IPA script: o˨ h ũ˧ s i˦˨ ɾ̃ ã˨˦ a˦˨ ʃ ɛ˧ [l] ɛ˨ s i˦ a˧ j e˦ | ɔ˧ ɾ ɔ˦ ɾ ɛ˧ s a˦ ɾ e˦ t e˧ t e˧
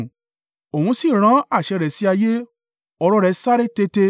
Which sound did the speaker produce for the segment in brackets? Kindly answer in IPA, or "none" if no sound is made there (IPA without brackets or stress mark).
ɾ